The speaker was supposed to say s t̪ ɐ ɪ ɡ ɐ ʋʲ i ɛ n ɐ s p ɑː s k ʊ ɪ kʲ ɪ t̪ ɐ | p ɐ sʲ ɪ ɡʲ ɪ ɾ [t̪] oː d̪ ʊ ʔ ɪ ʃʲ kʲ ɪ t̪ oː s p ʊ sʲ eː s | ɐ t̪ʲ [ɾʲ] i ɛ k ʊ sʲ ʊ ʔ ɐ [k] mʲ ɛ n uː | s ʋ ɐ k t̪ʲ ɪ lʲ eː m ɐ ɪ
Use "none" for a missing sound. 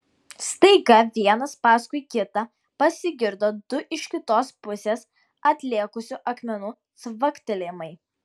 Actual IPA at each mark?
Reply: d̪, lʲ, k

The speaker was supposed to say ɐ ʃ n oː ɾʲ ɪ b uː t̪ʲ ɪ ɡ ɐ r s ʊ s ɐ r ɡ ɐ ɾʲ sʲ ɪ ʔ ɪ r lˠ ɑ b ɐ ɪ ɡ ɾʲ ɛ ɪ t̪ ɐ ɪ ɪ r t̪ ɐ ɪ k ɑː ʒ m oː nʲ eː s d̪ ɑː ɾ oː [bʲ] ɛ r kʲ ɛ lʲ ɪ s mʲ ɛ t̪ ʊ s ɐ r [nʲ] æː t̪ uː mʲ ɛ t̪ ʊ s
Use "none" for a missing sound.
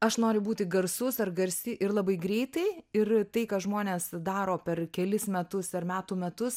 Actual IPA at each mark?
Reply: pʲ, mʲ

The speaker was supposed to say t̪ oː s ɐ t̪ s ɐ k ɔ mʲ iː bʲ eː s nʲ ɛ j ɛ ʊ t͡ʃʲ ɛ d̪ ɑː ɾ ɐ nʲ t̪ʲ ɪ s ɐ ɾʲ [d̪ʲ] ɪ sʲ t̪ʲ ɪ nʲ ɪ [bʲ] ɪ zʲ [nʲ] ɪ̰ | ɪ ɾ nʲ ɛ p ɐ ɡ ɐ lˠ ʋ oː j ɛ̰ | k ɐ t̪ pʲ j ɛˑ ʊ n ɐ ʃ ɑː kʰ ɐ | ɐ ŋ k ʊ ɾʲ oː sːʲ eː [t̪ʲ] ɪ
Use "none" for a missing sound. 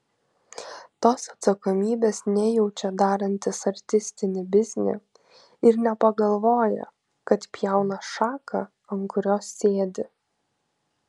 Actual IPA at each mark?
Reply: t̪ʲ, bʲ, nʲ, d̪ʲ

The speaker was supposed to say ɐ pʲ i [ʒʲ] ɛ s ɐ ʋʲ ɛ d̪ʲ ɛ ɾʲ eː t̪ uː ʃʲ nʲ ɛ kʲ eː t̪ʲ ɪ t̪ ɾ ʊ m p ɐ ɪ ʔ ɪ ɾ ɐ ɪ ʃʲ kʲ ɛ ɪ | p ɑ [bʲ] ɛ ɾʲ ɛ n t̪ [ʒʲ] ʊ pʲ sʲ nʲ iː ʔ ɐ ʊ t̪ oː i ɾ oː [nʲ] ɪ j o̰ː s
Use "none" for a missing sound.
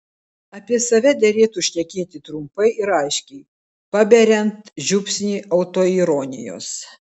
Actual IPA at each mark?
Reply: none, bʲ, ʒʲ, nʲ

